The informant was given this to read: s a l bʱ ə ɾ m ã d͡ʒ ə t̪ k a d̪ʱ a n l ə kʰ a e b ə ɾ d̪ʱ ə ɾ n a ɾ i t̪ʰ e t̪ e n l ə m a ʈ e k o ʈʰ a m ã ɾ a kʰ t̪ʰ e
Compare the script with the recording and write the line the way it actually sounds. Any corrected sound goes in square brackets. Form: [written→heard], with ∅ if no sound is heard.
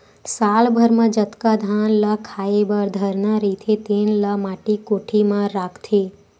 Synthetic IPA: s a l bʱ ə ɾ m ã d͡ʒ ə t̪ k a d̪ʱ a n l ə kʰ a e b ə ɾ d̪ʱ ə ɾ n a ɾ i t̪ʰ e t̪ e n l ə m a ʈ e k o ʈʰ [a→i] m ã ɾ a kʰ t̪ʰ e